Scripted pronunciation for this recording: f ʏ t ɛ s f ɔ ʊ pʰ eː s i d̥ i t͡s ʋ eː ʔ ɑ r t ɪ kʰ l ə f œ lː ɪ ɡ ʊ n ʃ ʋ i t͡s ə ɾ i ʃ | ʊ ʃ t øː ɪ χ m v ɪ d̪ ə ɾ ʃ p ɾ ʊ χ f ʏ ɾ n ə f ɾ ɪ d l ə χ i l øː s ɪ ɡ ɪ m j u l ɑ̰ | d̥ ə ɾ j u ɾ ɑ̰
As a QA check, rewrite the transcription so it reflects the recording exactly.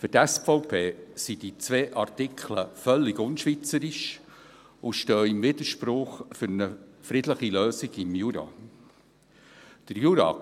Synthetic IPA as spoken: f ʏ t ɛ s f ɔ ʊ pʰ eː s i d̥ i t͡s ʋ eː ʔ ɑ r t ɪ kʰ l ə f œ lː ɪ ɡ ʊ n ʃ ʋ i t͡s ə ɾ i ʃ | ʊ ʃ t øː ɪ m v ɪ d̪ ə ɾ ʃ p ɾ ʊ χ f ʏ ɾ n ə f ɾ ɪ d l ə χ i l øː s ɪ ɡ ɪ m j u ɾ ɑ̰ | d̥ ə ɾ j u ɾ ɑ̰